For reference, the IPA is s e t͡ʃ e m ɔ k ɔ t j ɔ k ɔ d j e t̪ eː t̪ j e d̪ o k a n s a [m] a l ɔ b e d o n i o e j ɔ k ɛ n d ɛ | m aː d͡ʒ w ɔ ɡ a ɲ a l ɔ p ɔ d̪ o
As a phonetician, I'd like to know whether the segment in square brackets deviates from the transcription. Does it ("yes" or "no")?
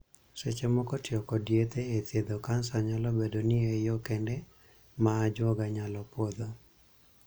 yes